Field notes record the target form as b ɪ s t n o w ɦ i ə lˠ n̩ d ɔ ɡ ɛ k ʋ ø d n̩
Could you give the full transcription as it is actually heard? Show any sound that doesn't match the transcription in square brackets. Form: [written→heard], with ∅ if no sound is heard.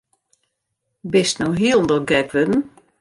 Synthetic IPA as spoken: b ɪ s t n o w ɦ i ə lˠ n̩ d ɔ ɡ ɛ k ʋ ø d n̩